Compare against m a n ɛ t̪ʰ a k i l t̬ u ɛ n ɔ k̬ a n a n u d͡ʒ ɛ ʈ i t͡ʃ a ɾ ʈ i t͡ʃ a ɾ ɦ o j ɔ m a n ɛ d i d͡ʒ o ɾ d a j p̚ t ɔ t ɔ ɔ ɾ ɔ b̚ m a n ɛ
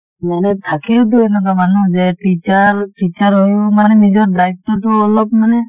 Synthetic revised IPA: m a n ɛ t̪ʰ a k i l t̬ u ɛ n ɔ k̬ a m a n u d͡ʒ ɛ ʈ i t͡ʃ a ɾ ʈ i t͡ʃ a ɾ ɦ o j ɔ m a n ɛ n i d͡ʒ ɔ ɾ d a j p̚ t ɔ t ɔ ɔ l ɔ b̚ m a n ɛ